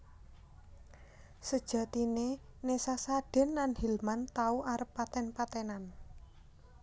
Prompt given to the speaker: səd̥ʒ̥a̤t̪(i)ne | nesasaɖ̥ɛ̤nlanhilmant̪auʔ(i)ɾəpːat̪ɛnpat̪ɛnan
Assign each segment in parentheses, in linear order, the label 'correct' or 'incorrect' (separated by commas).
correct, incorrect